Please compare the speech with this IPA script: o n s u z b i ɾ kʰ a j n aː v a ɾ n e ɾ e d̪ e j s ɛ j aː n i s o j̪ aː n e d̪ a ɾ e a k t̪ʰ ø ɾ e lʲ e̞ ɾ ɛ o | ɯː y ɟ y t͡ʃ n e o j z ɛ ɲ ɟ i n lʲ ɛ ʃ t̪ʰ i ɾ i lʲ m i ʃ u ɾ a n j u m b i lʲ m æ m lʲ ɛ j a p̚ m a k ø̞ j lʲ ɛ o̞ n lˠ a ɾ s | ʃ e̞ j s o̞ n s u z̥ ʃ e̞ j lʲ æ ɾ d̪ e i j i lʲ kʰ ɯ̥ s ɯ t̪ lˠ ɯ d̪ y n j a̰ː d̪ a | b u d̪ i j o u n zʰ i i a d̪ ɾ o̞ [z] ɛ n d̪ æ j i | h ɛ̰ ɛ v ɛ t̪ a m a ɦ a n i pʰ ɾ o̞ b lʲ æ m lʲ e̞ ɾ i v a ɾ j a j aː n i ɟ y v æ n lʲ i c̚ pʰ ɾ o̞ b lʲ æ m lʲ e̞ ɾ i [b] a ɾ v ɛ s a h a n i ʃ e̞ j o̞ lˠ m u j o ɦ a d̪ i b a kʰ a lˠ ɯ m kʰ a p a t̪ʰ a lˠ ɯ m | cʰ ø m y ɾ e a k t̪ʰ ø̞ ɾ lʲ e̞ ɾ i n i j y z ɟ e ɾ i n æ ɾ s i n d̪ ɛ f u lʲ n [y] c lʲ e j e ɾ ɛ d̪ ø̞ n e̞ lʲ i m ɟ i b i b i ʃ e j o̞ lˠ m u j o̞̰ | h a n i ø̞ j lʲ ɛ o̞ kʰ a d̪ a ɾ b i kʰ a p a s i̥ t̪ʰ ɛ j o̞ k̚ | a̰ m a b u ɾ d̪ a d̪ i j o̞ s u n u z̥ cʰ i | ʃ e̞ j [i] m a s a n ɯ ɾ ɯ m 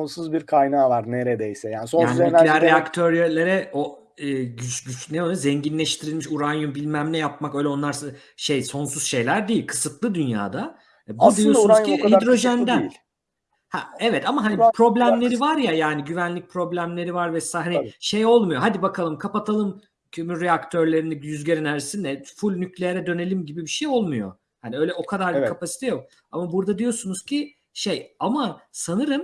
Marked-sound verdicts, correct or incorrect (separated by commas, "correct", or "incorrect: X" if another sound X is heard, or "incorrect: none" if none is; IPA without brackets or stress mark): incorrect: ʒ, incorrect: v, correct, incorrect: a